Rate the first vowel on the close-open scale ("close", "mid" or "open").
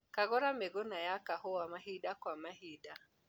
open